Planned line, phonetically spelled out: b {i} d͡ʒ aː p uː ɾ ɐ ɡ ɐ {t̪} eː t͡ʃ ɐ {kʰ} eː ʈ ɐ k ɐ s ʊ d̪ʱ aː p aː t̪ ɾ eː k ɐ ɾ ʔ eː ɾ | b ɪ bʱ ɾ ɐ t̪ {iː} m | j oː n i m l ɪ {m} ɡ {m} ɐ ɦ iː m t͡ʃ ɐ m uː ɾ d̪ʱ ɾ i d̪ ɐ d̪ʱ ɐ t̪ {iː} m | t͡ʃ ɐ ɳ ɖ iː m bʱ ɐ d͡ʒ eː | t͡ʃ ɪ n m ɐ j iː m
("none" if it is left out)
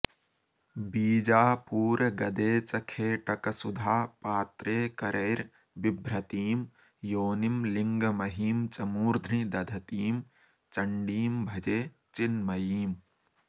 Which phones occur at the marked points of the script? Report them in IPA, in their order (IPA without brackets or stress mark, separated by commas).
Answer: iː, d̪, kʰ, iː, ŋ, m, iː